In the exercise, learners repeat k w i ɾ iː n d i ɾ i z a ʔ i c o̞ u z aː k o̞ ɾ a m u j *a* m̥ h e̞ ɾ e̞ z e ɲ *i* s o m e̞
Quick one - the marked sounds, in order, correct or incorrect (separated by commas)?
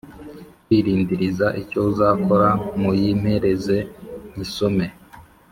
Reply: incorrect, correct